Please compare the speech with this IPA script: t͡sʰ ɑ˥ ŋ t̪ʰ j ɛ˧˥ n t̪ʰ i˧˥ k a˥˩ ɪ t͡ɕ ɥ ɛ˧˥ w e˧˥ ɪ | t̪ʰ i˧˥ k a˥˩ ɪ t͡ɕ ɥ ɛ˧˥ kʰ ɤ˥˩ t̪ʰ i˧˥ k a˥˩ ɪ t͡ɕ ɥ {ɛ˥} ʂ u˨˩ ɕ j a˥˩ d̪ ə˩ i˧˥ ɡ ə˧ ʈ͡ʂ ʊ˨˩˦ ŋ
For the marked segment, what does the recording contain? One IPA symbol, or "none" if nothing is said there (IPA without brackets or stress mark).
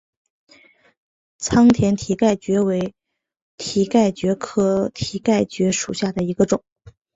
ɛ˧˥